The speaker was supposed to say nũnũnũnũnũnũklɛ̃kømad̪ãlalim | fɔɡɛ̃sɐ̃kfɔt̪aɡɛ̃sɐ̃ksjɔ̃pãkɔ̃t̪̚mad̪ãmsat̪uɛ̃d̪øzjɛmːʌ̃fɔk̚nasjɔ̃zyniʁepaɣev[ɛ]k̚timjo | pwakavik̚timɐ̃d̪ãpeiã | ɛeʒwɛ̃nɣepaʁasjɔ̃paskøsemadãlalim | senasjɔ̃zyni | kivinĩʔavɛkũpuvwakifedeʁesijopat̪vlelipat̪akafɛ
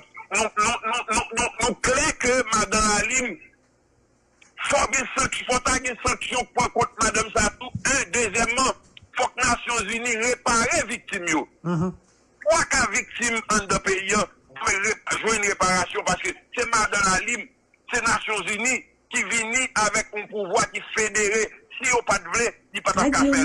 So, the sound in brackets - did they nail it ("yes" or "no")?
no